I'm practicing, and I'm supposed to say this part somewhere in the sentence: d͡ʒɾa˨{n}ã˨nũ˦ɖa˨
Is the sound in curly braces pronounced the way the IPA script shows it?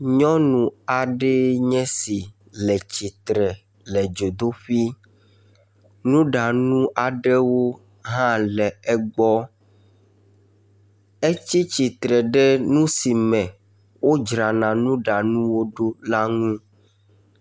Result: yes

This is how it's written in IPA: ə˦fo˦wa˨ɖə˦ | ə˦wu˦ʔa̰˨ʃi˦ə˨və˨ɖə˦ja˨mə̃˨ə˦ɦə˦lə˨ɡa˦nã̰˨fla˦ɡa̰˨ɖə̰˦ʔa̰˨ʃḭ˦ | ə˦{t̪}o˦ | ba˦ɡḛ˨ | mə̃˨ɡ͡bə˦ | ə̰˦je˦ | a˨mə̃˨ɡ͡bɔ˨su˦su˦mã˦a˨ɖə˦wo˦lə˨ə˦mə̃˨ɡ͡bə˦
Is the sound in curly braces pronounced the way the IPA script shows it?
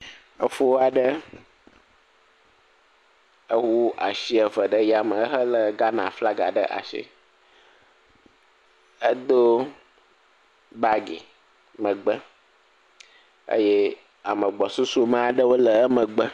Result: no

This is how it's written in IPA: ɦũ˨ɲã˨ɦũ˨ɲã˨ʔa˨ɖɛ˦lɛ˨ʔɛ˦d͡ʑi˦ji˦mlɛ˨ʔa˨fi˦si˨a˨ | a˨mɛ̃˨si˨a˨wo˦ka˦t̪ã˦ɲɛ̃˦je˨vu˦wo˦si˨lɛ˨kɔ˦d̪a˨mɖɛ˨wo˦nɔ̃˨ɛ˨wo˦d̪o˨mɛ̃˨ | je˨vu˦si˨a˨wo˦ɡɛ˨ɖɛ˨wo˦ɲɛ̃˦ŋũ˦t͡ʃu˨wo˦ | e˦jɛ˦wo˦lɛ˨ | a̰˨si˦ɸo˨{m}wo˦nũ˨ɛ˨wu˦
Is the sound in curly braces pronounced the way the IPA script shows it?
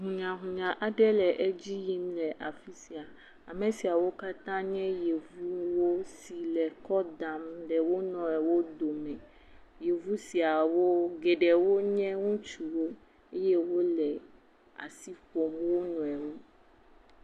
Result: yes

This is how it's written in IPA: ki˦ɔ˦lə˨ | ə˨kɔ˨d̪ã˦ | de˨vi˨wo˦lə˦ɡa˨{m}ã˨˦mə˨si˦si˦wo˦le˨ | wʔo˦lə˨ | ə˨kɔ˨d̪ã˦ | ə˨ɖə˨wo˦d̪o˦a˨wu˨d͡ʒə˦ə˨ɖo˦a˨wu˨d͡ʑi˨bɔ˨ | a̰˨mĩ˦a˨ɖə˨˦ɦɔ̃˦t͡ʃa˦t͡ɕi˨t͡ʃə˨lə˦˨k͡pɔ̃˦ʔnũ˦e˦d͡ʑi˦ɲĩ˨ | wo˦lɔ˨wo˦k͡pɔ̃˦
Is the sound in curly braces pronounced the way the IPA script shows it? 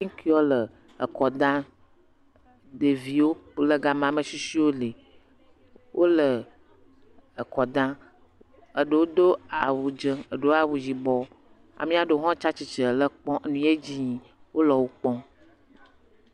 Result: yes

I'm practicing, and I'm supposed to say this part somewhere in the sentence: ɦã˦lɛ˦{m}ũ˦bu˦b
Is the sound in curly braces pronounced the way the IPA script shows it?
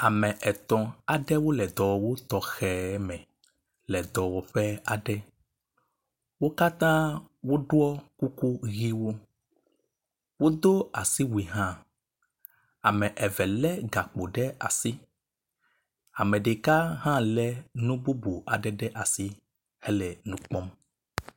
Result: no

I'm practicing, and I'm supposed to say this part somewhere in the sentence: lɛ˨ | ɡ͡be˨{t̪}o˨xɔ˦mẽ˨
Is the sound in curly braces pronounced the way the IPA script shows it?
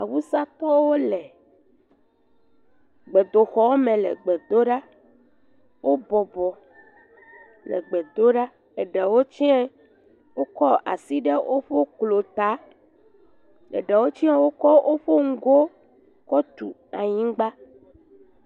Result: no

